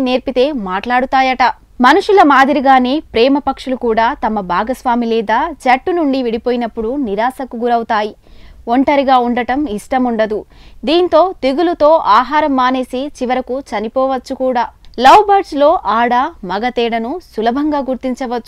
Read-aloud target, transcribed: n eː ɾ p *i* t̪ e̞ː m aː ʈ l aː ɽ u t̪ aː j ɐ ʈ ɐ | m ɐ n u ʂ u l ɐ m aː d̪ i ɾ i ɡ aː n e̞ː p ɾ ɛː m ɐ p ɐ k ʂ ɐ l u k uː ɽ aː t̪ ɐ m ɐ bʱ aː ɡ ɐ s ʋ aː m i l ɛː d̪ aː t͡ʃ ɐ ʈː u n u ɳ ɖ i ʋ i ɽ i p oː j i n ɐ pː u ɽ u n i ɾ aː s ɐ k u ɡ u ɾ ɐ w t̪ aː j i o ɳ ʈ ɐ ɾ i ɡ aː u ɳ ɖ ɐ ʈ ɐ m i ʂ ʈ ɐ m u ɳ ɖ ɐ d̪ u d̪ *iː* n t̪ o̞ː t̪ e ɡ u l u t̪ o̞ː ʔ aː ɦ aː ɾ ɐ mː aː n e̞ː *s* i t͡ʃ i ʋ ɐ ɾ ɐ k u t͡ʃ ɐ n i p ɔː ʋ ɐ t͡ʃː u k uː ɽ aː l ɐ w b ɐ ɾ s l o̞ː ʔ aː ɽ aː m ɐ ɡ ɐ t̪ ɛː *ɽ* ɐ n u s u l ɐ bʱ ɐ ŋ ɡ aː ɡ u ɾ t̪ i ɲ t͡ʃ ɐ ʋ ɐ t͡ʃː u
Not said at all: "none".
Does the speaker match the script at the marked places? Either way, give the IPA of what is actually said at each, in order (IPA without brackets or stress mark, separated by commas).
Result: i, iː, s, ɽ